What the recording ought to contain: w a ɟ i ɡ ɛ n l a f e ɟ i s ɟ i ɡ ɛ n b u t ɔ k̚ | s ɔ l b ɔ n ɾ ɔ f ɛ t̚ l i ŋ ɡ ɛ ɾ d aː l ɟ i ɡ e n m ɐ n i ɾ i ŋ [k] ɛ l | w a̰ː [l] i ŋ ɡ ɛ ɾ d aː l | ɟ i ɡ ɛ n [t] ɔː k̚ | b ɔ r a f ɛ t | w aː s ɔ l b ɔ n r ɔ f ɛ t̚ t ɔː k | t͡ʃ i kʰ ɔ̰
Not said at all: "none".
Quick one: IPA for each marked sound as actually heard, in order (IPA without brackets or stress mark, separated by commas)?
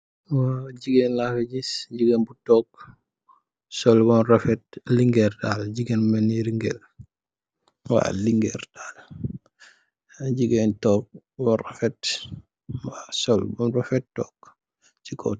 ɡ, l, t